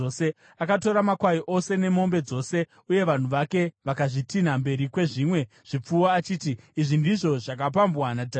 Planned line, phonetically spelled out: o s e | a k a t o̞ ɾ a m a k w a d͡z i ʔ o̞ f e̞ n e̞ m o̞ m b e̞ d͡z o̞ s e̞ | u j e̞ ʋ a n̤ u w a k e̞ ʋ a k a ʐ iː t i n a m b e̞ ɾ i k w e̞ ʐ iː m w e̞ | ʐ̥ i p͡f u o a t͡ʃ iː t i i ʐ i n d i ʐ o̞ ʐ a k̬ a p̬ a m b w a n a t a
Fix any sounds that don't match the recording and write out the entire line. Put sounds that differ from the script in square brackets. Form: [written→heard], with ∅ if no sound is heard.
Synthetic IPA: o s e | a k a t o̞ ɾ a m a k w a [d͡z→∅] i ʔ o̞ [f→s] e̞ n e̞ m o̞ m b e̞ d͡z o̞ s e̞ | u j e̞ ʋ a n̤ u [w→ʋ] a k e̞ ʋ a k a ʐ [iː→i] t i n a m b e̞ ɾ i k w e̞ ʐ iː m w e̞ | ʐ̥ i p͡f u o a t͡ʃ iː t i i ʐ i n d i ʐ o̞ ʐ a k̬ a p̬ a m b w a n a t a